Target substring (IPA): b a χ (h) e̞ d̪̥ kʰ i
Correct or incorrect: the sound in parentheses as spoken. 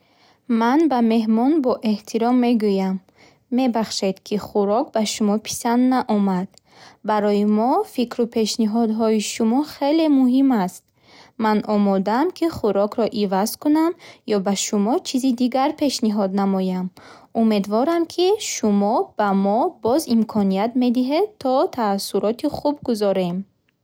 incorrect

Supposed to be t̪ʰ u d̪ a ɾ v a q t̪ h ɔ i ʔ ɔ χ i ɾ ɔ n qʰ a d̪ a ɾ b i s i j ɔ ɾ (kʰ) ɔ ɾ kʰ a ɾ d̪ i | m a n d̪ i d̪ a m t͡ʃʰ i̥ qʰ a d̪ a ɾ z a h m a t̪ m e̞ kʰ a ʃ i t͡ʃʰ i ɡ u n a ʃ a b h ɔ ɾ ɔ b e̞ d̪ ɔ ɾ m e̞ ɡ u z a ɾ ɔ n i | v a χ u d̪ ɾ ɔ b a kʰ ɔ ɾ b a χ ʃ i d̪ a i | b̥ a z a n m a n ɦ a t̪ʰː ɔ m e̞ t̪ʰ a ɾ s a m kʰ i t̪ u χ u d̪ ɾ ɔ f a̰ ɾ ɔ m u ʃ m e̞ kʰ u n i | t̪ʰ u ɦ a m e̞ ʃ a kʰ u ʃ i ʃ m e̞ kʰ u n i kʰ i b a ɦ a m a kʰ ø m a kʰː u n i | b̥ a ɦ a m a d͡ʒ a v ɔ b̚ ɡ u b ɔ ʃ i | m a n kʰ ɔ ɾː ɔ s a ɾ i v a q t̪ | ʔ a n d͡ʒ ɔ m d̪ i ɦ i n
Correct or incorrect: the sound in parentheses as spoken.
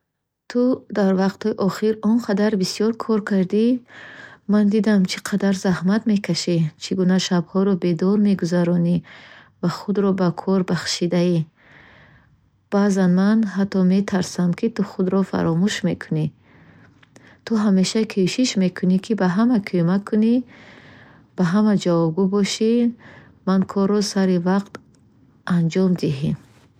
correct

